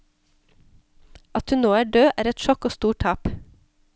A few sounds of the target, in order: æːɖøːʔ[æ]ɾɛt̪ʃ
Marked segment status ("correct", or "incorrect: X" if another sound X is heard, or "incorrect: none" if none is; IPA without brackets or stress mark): incorrect: æː